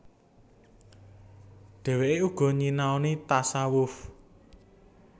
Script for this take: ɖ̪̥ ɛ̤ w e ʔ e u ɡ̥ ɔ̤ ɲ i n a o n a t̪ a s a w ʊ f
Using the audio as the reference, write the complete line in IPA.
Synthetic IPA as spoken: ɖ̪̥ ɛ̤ w e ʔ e u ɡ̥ ɔ̤ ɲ i n a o n i t̪ a s a w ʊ f